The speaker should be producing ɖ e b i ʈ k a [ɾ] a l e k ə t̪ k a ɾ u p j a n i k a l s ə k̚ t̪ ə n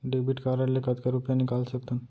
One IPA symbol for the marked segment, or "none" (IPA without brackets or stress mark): ɾ